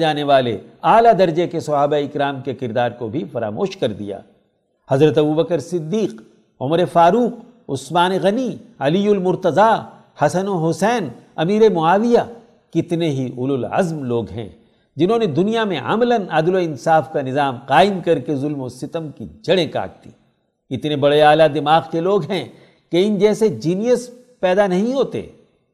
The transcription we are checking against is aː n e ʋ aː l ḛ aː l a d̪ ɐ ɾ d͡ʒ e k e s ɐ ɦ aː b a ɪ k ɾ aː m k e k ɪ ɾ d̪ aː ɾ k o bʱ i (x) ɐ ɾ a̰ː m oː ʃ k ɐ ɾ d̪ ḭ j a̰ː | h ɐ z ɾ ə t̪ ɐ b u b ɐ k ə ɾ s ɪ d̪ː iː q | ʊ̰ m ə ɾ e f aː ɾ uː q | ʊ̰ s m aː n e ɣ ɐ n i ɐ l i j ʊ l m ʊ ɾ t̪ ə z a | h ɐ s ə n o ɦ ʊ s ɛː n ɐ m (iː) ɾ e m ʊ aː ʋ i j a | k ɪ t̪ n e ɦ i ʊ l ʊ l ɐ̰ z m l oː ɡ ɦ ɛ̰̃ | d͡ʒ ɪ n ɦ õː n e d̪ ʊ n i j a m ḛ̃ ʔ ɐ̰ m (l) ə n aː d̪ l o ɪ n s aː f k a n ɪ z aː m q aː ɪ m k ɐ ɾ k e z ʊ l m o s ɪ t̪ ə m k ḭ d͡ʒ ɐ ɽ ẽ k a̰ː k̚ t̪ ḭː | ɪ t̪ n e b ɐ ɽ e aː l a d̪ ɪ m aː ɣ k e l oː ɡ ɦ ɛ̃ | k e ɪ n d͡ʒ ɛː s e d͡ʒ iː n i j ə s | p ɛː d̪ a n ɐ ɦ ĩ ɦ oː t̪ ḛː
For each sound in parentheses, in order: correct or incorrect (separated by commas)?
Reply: incorrect, correct, correct